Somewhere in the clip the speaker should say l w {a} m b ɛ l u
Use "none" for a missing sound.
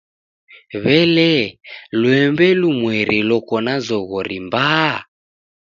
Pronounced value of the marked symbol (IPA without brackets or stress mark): ɛ